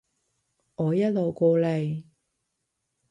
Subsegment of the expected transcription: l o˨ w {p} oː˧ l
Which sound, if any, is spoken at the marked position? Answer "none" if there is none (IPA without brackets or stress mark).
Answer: k